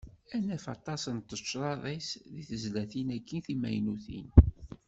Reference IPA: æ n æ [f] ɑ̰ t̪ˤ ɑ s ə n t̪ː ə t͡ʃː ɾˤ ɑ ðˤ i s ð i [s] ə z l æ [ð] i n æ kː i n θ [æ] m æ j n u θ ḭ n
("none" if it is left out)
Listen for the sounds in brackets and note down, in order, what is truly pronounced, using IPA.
f, θ, θ, i

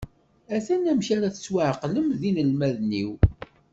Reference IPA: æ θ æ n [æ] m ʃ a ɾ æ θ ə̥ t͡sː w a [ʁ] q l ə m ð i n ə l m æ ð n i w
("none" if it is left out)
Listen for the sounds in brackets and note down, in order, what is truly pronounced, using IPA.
æ, ʕ

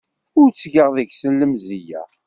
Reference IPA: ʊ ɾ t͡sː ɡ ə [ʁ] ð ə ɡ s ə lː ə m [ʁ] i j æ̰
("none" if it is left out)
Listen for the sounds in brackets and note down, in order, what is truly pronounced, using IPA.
ʁ, z

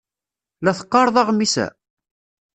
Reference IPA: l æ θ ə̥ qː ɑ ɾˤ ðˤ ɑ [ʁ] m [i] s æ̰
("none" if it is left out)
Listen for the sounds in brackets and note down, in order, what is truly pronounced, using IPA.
ʁ, i

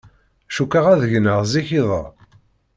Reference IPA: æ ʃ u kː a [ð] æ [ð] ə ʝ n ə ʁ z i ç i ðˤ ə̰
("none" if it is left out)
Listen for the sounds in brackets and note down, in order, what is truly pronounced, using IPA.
ʁ, ð

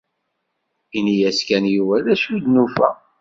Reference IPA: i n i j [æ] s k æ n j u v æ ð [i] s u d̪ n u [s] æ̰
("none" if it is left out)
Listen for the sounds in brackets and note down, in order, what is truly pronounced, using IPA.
æ, æ, f

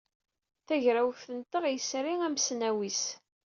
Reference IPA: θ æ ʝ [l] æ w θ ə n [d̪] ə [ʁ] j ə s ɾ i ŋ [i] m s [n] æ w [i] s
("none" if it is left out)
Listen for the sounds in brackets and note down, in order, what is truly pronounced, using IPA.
ɾ, t̪, ʁ, æ, n, i

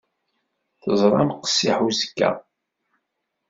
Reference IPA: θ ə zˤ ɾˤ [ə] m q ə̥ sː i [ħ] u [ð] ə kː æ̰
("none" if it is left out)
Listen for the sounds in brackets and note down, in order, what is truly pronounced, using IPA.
ɑ, ħ, z

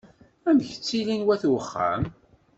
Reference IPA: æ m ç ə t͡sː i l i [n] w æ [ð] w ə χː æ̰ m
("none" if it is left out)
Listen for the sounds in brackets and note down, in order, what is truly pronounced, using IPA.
n, θ

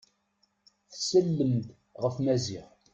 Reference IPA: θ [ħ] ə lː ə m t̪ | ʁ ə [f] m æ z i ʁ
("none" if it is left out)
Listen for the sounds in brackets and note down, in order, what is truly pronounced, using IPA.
s, f

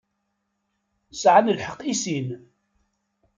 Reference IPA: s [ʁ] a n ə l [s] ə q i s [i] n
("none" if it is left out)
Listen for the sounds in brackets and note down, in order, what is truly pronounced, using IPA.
ʕ, ħ, i

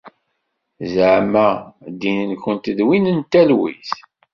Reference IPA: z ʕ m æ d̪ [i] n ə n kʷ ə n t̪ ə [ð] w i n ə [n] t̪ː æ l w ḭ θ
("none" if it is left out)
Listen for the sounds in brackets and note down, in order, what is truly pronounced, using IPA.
i, ð, n

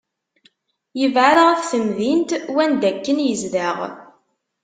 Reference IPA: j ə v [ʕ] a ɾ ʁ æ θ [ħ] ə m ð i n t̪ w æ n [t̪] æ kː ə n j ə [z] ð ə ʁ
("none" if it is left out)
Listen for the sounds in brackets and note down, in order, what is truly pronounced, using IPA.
ʕ, θ, d̪, z

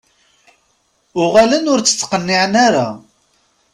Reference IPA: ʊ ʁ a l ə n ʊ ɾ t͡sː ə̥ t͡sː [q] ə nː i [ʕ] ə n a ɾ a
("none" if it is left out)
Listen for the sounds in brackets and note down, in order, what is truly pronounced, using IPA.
q, ʕ

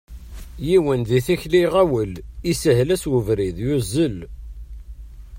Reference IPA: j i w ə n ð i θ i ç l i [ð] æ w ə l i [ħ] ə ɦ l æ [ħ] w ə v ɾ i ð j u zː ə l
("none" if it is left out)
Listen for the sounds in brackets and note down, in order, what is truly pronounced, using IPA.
ʁ, s, s

